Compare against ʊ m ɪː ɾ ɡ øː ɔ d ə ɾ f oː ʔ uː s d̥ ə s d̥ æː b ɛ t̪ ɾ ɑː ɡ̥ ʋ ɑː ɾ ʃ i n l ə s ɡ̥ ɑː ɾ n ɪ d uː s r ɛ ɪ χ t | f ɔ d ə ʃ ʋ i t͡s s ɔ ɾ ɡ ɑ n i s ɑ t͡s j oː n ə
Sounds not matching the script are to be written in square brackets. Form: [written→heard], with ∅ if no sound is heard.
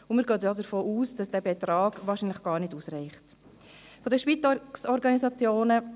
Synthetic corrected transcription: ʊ m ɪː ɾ ɡ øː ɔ d ə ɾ f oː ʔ uː s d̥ [ə→ɑ] s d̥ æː b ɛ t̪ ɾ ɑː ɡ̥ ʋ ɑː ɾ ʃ i n l ə [s→χ] ɡ̥ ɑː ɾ n ɪ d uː s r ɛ ɪ χ t | f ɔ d ə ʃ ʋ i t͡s s ɔ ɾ ɡ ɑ n i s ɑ t͡s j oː n ə